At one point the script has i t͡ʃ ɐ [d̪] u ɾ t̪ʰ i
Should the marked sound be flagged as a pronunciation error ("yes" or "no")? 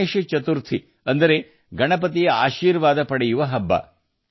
yes